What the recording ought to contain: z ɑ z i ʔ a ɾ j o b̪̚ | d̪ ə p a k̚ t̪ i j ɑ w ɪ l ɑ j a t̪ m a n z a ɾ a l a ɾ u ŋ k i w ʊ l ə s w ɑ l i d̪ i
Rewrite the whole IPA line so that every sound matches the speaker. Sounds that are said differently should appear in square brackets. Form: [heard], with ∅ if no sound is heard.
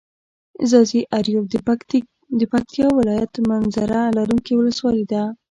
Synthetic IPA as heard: z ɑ z i ʔ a ɾ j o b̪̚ | d̪ ə p a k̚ t̪ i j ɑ w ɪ l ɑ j a t̪ m a n z a ɾ a l a ɾ u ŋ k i w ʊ l ə s w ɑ l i d̪ [a]